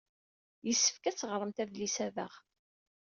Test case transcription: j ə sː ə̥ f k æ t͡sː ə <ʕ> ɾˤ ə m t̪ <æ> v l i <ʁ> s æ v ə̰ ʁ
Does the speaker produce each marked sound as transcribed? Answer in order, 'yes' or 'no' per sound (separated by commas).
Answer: no, yes, no